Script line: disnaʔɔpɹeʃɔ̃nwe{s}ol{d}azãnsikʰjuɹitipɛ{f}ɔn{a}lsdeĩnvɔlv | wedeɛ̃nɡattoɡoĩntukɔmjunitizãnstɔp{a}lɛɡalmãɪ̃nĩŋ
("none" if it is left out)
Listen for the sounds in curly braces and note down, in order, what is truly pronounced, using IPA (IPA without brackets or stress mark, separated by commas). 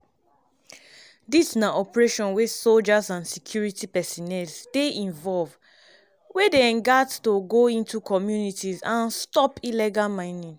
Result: s, d͡ʒ, s, ɛ, i